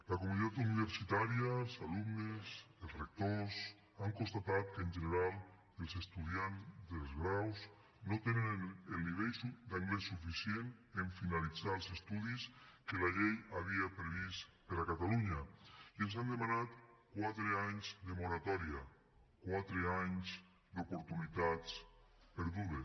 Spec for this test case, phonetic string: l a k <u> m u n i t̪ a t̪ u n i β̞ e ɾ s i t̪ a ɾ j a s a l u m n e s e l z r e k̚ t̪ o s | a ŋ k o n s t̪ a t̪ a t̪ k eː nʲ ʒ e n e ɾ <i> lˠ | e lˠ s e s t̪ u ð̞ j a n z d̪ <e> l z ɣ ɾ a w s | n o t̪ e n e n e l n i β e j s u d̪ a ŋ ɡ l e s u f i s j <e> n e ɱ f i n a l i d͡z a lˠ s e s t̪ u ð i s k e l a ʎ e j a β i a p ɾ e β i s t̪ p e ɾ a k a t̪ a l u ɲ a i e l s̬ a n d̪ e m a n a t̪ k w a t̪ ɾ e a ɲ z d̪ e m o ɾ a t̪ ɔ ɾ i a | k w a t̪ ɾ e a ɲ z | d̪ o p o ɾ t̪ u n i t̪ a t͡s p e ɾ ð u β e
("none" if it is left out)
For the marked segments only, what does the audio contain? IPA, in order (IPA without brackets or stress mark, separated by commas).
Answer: o, a, e, e